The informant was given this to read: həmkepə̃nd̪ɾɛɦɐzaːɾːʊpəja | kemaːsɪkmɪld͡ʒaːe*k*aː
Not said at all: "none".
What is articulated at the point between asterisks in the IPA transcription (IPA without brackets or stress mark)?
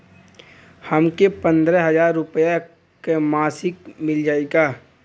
ɡ